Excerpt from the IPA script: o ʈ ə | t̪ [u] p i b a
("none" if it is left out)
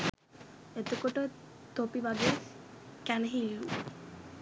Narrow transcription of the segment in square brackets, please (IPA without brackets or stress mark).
o